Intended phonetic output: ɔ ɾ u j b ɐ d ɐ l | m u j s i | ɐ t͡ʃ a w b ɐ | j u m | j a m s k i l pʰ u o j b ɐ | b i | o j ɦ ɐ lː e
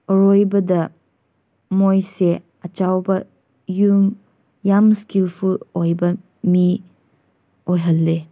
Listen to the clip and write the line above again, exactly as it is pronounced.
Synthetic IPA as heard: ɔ ɾ o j b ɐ d ɐ | m o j s e | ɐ t͡ʃ a w b ɐ | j u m | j a m s k i l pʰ u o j b ɐ | m i | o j ɦ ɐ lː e